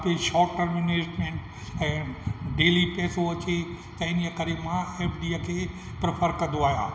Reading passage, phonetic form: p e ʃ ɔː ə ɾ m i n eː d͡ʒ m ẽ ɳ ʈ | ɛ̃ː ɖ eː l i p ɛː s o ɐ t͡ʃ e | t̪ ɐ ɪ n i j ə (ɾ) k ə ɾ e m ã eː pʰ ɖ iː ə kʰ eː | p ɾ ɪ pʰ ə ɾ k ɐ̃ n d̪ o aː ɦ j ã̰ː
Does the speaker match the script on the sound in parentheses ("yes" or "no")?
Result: no